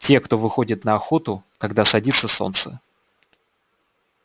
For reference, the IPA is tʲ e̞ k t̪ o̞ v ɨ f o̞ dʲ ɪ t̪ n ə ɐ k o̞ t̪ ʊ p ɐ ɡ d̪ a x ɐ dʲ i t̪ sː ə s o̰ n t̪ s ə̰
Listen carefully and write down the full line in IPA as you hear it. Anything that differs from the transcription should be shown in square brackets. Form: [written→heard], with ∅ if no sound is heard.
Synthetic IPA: tʲ e̞ k t̪ o̞ v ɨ [f→x] o̞ dʲ ɪ t̪ n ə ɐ [k→x] o̞ t̪ ʊ [p→k] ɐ ɡ d̪ a [x→s] ɐ dʲ i t̪ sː ə s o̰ n t̪ s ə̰